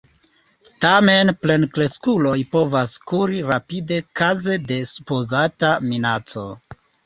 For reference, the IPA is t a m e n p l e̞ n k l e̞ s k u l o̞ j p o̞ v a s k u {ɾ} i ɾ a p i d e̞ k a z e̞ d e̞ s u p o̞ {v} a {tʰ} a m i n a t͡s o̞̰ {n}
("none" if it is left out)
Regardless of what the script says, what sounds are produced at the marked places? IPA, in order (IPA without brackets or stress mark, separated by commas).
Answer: ɾ, z, t, none